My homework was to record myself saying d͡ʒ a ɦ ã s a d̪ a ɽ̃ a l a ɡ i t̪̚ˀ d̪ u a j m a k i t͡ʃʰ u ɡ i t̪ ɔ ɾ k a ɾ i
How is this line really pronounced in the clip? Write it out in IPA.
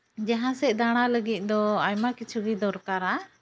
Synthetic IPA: d͡ʒ a ɦ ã s ɛ d̪ a ɽ̃ a l ə ɡ i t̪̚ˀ d̪ ɔ a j m a k i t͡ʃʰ u ɡ i d̪ ɔ ɾ k a ɾ a